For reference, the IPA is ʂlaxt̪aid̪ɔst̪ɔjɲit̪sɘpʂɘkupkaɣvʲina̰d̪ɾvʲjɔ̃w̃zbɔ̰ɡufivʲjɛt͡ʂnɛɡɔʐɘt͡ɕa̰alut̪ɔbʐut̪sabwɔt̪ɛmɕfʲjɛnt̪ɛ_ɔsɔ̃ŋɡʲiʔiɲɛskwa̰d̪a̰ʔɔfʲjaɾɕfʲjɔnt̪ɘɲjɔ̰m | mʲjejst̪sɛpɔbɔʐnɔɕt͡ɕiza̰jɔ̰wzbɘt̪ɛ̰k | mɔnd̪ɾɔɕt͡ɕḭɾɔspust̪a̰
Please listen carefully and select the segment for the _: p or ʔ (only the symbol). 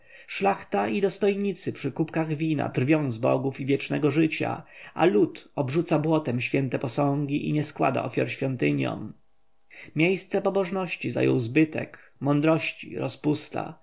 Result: p